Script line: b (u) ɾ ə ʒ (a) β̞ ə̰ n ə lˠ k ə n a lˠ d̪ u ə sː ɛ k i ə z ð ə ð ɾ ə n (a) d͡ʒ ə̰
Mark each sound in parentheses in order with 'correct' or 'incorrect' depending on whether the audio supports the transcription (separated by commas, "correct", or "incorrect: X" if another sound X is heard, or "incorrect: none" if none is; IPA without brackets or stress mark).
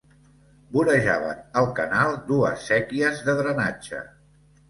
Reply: correct, correct, correct